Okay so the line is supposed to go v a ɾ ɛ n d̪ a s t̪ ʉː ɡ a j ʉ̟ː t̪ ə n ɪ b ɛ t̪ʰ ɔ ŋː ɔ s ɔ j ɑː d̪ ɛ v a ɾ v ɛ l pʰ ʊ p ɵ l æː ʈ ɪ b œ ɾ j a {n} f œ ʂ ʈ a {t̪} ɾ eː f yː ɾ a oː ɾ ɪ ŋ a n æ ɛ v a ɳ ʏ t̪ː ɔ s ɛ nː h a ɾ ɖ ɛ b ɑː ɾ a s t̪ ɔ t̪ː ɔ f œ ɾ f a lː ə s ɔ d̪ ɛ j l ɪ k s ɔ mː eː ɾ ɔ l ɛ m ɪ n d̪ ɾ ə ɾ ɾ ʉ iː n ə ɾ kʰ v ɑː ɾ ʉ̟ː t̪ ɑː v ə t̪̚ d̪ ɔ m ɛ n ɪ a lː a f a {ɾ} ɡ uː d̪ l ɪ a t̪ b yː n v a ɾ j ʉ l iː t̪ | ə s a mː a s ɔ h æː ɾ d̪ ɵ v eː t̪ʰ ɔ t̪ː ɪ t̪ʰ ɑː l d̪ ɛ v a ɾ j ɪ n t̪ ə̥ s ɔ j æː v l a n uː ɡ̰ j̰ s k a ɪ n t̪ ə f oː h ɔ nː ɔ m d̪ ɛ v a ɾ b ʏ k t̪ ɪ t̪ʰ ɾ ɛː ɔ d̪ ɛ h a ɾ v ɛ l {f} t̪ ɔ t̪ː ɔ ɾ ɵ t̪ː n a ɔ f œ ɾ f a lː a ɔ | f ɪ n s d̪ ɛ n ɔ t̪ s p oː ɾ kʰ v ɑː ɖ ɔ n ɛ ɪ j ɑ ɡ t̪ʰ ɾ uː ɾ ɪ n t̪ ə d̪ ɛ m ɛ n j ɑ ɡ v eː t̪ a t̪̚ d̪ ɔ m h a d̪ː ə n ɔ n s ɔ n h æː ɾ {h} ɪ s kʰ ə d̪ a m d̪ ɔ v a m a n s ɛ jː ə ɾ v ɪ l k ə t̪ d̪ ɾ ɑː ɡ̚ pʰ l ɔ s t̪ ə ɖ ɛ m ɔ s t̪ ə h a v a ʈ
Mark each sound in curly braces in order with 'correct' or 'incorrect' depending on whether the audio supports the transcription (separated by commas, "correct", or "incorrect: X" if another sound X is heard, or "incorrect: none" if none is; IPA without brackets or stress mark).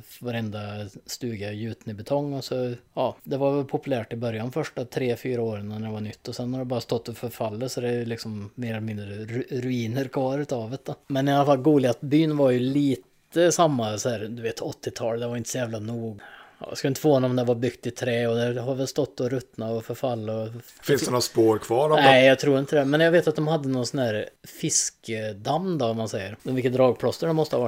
correct, incorrect: t̪ʰ, incorrect: l, incorrect: s, incorrect: f